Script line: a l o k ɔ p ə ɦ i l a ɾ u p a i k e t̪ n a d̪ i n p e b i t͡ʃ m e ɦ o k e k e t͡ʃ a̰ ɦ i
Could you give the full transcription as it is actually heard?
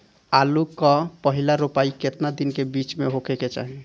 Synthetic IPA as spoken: a l u k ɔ p ə ɦ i l a ɾ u p a i k e t̪ n a d̪ i n k e b i t͡ʃ m e ɦ o k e k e t͡ʃ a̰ ɦ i